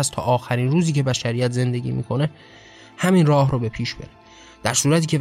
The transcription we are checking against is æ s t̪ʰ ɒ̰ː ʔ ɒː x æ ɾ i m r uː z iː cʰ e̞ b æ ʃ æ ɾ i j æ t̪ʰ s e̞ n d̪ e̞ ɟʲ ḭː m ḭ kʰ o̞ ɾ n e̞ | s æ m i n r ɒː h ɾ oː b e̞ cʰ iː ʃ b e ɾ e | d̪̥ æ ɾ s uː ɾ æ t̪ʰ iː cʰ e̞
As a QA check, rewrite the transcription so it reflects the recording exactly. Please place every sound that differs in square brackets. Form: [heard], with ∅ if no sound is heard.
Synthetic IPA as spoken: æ s t̪ʰ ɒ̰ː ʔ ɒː x æ ɾ i [n] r uː z iː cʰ e̞ b æ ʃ æ ɾ i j æ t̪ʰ [z] e̞ n d̪ e̞ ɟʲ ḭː m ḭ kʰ o̞ [∅] n e̞ | [h] æ m i n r ɒː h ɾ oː b e̞ [pʰ] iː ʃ b e ɾ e | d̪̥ æ ɾ s uː ɾ æ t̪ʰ iː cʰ e̞